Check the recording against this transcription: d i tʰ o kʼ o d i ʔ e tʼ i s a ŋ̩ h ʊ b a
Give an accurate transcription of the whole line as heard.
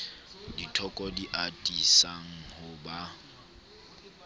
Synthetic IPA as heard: d i tʰ ɔ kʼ ɔ d i ʔ a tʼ i s a ŋ̩ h ʊ b a